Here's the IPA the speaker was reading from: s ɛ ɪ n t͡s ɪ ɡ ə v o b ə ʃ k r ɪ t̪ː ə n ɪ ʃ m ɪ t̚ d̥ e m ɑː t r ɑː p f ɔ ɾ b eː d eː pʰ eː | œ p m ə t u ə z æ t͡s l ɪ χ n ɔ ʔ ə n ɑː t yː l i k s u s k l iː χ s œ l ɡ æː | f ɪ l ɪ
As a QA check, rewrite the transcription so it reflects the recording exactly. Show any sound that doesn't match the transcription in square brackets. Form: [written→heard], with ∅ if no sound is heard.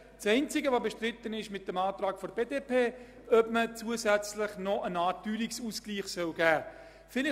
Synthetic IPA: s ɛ ɪ n t͡s ɪ ɡ ə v o b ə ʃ [k→t] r ɪ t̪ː ə n ɪ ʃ m ɪ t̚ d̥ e m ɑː t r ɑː [p→k] f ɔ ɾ b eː d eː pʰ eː | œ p m ə [t→t͡s] u ə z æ t͡s l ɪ χ n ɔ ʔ ə n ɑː t yː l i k s u s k l iː χ s œ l ɡ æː | f ɪ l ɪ